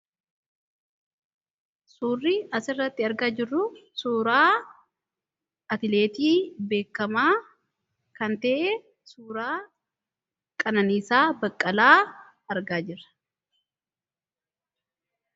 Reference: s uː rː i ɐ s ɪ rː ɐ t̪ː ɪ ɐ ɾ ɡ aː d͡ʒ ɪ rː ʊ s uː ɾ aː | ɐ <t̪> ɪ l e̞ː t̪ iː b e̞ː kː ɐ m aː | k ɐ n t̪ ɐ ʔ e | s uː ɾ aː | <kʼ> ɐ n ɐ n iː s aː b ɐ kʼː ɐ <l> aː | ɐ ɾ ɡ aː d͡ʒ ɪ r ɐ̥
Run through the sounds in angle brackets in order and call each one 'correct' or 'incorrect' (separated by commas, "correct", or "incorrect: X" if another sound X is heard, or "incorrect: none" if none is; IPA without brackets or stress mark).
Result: correct, correct, correct